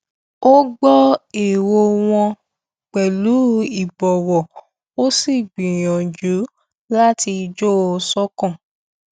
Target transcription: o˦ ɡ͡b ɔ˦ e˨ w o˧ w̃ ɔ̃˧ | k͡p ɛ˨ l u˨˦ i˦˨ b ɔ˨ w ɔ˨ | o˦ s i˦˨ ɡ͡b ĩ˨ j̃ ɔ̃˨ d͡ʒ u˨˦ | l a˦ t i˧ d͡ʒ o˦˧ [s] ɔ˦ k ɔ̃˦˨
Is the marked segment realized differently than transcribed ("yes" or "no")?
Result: no